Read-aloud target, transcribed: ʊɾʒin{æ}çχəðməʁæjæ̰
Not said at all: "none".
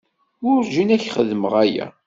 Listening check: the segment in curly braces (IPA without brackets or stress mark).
æ